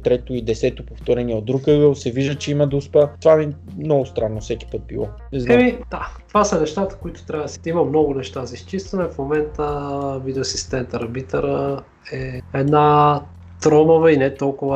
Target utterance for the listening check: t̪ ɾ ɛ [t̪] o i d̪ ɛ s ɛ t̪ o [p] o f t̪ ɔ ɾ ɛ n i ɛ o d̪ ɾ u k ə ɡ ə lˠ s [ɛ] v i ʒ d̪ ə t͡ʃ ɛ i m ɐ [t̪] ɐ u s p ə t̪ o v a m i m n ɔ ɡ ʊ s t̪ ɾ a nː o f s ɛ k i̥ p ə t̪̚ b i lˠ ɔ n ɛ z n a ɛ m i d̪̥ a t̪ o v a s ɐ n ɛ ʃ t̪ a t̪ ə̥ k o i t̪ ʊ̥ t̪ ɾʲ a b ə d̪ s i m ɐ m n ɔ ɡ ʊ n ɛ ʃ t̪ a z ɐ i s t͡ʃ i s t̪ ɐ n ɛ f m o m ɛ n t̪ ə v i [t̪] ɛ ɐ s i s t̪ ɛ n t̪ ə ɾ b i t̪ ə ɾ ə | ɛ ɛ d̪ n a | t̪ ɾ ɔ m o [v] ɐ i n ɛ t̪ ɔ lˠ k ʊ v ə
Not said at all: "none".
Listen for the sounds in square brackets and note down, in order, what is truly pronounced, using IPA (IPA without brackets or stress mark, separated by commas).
t̪, p, ɛ, d̪, d̪, v